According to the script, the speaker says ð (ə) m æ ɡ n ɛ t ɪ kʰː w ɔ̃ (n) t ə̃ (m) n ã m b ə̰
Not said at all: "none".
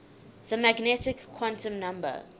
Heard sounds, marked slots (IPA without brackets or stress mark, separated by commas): ə, n, m